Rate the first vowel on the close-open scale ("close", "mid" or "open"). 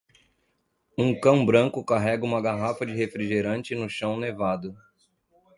close